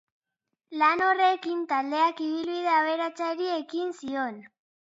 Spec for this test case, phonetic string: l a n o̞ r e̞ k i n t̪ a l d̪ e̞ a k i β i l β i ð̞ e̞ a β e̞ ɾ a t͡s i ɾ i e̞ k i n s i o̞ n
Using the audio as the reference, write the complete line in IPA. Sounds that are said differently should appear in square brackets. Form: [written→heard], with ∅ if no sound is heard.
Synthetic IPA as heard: l a n o̞ r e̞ k i n t̪ a l d̪ e̞ a k i β i l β i ð̞ e̞ a β e̞ ɾ a t͡s [i→a] ɾ i e̞ k i n s i o̞ n